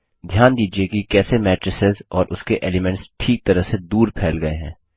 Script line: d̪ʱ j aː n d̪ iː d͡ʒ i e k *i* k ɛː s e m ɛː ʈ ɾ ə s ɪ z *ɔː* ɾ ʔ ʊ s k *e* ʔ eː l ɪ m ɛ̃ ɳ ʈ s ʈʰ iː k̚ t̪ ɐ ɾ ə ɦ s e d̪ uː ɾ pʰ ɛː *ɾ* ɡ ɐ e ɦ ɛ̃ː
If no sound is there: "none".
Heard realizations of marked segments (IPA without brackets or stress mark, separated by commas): i, ɔː, e, l